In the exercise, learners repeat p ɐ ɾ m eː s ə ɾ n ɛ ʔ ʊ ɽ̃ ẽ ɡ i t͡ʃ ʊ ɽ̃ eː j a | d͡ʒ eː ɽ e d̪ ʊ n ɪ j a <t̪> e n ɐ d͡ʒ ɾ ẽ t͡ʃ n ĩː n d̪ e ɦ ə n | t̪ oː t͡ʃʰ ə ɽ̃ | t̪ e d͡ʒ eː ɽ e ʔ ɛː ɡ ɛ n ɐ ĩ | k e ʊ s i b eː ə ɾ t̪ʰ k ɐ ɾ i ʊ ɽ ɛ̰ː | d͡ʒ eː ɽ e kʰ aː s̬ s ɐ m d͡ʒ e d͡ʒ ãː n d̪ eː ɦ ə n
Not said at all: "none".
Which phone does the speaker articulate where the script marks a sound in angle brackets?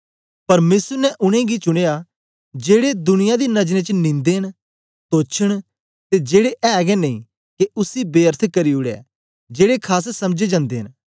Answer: d̪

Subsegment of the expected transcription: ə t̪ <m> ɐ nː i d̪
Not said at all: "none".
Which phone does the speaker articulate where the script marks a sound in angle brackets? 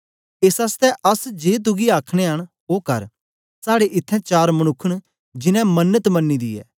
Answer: m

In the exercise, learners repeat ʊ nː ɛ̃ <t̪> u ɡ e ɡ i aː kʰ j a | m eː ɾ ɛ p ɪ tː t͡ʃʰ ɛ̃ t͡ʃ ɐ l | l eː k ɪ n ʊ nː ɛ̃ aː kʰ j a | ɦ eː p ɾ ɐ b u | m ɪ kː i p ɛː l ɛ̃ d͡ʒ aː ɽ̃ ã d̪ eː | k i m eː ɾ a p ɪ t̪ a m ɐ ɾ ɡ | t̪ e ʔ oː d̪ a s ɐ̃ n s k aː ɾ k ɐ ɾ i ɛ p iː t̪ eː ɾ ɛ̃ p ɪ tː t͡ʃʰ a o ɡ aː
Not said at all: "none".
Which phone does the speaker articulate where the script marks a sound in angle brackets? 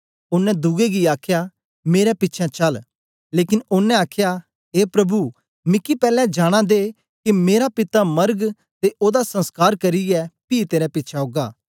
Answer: d̪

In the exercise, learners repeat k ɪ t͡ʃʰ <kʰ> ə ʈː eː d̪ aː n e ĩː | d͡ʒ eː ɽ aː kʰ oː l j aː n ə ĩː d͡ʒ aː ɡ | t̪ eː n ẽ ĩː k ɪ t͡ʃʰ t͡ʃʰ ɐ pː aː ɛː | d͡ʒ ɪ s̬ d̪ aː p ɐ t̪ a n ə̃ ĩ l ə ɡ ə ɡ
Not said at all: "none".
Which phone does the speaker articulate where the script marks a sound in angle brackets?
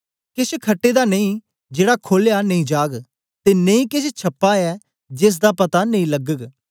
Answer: kʰ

